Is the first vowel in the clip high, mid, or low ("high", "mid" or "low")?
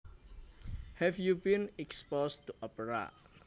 mid